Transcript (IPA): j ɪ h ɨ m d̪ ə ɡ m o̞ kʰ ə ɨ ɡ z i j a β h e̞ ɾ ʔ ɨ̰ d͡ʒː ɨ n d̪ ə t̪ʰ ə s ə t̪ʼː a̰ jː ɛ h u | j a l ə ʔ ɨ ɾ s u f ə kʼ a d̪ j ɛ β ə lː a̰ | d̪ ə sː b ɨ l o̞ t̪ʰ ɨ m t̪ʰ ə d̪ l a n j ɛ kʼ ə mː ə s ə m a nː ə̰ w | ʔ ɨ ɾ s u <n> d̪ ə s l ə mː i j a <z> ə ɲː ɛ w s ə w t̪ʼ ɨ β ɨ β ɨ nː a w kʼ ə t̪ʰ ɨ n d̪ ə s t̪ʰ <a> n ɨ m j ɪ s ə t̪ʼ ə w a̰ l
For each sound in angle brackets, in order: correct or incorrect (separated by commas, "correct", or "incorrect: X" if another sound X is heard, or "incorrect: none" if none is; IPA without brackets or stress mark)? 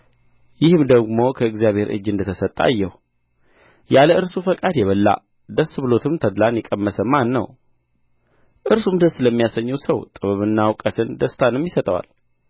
incorrect: m, incorrect: s, correct